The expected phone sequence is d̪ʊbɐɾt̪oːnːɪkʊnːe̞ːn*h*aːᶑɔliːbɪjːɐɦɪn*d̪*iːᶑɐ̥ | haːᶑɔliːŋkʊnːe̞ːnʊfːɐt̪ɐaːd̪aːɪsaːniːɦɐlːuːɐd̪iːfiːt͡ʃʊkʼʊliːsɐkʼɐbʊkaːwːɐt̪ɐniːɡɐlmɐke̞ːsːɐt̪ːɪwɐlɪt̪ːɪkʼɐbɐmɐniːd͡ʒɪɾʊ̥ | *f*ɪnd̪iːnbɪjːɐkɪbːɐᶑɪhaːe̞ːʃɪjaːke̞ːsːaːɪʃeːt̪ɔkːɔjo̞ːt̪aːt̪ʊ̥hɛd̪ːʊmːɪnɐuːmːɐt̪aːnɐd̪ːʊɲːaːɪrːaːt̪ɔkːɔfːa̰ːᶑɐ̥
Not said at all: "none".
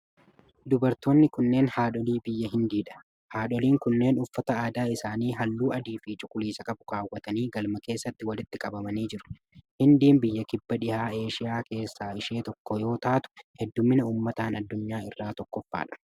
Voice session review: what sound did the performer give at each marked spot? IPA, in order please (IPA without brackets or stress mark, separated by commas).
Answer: h, d̪, h